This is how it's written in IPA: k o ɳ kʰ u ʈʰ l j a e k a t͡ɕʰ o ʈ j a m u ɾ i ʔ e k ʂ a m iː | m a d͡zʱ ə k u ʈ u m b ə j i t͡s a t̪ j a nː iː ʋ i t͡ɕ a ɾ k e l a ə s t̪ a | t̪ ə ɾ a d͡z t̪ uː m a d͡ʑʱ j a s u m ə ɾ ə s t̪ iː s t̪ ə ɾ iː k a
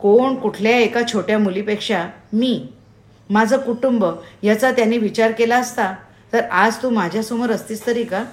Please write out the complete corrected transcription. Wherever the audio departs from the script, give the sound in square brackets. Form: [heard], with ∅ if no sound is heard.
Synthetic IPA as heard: k o ɳ [k] u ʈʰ l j a e k a t͡ɕʰ o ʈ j a m u [l] i [p] e k ʂ a m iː | m a d͡zʱ ə k u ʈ u m b ə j [a] t͡s a t̪ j a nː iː ʋ i t͡ɕ a ɾ k e l a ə s t̪ a | t̪ ə ɾ a d͡z t̪ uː m a d͡ʑʱ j a s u m ə ɾ ə s t̪ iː s t̪ ə ɾ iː k a